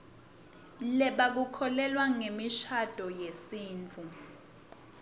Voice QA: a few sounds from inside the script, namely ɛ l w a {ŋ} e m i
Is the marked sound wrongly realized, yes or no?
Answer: no